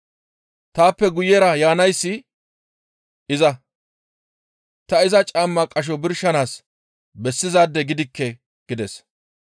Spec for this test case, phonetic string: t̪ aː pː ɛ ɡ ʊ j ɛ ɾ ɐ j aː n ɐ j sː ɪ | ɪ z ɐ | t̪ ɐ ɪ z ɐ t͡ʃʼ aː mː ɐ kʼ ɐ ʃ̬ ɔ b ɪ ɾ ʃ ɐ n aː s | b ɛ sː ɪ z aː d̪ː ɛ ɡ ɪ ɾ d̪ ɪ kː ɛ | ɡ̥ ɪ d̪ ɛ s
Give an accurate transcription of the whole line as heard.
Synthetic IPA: t̪ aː pː ɛ ɡ ʊ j ɛ ɾ ɐ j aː n ɐ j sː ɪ | ɪ z ɐ | t̪ ɐ ɪ z ɐ t͡ʃʼ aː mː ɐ kʼ ɐ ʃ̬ ɔ b ɪ ɾ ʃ ɐ n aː s | b ɛ sː ɪ z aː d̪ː ɛ ɡ ɪ d̪ ɪ kː ɛ | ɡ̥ ɪ d̪ ɛ s